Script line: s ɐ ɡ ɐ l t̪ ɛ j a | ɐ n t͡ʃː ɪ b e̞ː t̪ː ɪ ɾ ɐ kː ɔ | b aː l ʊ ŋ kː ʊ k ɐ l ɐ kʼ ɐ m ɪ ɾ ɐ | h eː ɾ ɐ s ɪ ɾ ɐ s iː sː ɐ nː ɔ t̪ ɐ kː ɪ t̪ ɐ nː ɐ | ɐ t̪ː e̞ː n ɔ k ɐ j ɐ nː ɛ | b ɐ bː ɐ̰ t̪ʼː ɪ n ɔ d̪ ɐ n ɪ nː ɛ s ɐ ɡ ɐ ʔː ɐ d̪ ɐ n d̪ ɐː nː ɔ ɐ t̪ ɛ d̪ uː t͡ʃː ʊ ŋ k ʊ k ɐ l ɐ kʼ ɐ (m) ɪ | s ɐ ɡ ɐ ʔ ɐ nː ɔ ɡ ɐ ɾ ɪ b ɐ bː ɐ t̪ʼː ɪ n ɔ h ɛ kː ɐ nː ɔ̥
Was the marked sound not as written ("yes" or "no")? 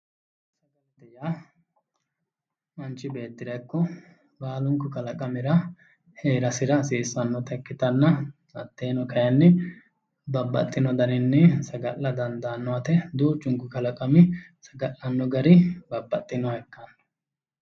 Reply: no